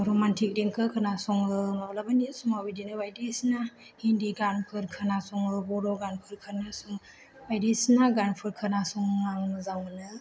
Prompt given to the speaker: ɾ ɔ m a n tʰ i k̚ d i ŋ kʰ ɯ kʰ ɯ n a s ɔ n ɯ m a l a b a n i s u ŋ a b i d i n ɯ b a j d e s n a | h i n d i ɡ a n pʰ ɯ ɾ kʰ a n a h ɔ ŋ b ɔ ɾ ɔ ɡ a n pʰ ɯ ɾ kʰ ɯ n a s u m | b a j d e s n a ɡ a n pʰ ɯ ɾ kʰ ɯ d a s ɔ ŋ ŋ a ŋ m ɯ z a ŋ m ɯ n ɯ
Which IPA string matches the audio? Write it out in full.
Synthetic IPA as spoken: ɾ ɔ m a n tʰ i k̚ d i ŋ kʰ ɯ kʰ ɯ n a s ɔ ŋ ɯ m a l a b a n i s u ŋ a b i d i n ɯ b a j d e s n a | h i n d i ɡ a n pʰ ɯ ɾ kʰ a n a s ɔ ŋ b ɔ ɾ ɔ ɡ a n pʰ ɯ ɾ kʰ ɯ n a s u ŋ | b a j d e s n a ɡ a n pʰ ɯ ɾ kʰ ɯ n a s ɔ ŋ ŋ a ŋ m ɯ z a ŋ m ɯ n ɯ